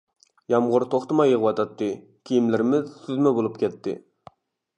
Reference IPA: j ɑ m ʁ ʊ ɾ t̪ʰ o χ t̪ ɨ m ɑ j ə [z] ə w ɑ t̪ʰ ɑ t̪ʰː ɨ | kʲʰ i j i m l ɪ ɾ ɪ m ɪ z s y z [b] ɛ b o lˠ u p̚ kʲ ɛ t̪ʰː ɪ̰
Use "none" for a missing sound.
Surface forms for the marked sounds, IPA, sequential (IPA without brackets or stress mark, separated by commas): ʁ, m